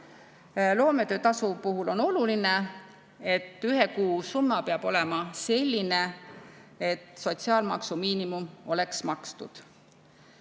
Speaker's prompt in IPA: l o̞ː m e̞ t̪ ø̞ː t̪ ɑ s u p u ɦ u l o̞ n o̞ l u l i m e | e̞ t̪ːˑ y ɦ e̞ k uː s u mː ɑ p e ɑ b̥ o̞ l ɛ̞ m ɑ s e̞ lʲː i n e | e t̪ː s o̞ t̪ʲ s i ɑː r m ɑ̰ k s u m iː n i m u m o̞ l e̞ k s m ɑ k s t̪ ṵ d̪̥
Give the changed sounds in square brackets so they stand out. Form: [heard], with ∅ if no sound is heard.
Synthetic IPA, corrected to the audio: l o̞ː m e̞ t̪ ø̞ː t̪ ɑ s u p u ɦ u l o̞ n o̞ l u l i [n] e | e̞ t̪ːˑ y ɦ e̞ k uː s u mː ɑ p e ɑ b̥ o̞ l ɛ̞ m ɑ s e̞ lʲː i n e | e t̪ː s o̞ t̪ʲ s i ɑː [l] m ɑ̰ k s u m iː n i m u m o̞ l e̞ k s m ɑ k s t̪ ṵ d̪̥